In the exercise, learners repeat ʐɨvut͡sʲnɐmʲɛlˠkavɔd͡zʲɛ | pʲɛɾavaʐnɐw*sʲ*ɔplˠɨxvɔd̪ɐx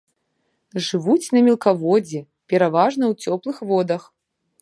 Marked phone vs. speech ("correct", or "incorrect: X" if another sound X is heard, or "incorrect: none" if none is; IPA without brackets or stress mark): incorrect: t͡sʲ